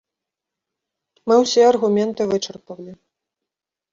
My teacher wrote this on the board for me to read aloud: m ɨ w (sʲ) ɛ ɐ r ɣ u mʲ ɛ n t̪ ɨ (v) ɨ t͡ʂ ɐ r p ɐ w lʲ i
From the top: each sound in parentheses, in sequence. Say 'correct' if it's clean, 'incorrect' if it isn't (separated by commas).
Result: correct, correct